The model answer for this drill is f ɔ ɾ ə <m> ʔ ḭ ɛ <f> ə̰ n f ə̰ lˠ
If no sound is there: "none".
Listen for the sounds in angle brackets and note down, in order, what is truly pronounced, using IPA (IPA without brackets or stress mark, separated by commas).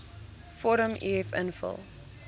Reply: m, f